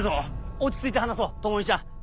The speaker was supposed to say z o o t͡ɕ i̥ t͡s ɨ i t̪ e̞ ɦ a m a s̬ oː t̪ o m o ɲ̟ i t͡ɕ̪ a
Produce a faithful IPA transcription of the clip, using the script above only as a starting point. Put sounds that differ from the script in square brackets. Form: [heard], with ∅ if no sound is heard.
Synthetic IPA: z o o t͡ɕ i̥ t͡s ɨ i t̪ e̞ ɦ a [n] a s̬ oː t̪ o m o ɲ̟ i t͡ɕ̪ a